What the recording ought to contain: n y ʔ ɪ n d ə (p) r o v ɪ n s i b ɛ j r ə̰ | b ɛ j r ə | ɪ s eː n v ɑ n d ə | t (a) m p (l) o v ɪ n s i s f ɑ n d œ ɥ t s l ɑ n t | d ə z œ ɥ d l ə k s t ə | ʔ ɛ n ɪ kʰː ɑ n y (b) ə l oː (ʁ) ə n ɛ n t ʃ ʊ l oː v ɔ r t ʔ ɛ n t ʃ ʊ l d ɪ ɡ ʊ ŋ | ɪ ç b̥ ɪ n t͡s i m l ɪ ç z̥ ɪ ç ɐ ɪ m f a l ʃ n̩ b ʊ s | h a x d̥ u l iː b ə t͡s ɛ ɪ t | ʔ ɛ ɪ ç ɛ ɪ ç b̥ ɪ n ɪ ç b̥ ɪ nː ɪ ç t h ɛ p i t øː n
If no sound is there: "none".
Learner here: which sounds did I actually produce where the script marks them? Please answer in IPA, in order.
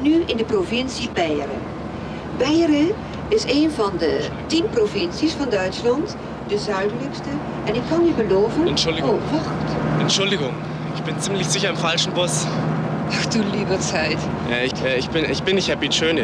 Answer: p, i, r, b, v

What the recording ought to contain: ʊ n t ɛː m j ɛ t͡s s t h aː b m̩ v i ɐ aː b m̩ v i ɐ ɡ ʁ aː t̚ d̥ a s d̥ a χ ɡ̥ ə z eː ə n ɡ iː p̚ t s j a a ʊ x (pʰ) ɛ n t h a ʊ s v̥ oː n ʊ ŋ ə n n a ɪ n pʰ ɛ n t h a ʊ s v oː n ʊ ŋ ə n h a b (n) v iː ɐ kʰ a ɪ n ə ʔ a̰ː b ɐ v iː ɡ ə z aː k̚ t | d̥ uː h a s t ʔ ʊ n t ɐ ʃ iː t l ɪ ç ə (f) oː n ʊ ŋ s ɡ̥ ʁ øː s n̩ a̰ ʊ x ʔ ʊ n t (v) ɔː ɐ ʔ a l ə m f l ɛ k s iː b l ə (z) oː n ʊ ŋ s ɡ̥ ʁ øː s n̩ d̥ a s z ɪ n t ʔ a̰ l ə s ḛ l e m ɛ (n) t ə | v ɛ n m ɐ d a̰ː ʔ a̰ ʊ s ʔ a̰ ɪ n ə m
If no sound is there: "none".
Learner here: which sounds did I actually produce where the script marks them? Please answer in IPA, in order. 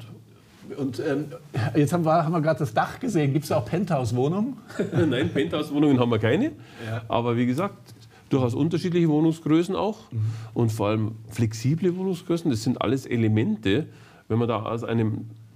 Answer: pʰ, m, v, f, v, n

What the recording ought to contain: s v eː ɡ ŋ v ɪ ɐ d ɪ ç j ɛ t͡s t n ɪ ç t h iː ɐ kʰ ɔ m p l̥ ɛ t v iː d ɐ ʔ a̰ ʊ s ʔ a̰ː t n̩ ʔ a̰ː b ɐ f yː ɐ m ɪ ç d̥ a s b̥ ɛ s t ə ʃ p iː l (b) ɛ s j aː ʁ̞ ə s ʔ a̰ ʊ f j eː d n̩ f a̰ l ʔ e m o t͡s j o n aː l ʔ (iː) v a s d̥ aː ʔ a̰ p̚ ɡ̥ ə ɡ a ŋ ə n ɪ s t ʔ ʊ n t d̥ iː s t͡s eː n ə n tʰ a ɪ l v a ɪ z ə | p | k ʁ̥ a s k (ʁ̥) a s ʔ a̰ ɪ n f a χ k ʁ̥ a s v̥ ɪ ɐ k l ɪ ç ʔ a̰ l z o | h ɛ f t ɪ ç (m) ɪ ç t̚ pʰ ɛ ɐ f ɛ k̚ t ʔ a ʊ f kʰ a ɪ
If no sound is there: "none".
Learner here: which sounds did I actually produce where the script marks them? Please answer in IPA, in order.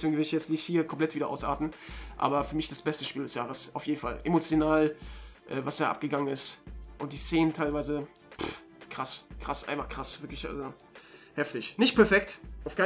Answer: d, ɛː, ʁ̥, n

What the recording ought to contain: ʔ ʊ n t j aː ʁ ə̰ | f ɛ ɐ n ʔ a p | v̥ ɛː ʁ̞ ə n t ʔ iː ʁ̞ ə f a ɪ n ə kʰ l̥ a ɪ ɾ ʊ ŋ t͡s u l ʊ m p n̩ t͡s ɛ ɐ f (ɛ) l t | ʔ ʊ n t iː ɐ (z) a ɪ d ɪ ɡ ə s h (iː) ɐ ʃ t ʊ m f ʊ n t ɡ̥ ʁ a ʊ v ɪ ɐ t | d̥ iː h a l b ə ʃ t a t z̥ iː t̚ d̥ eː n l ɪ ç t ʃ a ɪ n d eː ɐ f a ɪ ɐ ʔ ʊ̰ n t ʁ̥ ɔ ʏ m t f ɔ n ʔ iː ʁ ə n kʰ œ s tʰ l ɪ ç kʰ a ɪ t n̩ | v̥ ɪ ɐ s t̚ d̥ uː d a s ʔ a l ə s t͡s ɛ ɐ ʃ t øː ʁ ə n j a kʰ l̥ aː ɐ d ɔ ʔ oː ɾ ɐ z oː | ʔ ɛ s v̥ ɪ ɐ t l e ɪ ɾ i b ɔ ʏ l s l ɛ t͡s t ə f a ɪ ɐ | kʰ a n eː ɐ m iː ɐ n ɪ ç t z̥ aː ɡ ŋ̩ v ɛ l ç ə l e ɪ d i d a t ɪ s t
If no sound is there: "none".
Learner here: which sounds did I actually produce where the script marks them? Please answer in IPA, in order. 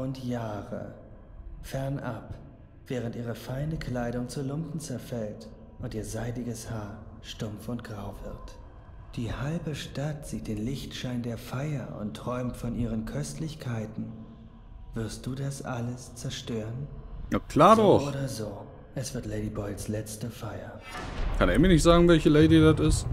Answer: ɛ, z, aː

